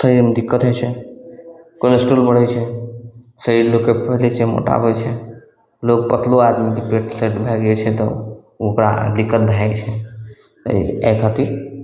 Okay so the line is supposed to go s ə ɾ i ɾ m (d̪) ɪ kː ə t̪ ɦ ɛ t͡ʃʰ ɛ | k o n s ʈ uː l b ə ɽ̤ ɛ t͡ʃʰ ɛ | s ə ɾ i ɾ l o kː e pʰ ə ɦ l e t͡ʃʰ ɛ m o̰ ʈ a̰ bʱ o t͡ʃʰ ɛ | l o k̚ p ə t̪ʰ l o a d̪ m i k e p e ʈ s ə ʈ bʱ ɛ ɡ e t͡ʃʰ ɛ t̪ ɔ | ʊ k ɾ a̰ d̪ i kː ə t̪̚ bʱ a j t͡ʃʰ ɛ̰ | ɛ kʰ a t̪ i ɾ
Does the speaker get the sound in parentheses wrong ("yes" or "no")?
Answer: no